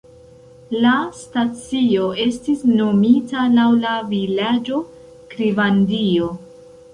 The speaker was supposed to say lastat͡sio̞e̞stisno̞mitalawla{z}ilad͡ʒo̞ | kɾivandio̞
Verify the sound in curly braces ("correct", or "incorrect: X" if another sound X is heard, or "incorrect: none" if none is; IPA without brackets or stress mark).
incorrect: v